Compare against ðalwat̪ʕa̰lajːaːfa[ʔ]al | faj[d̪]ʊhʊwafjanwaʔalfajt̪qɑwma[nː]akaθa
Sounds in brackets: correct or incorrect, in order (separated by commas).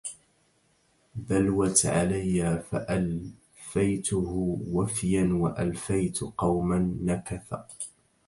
correct, incorrect, correct